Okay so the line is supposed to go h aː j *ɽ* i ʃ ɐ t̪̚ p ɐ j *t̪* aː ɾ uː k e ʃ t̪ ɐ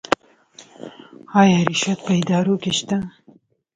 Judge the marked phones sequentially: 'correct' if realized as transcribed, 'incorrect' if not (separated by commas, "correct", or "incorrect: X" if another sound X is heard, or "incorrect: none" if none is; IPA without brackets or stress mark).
incorrect: ɾ, incorrect: d̪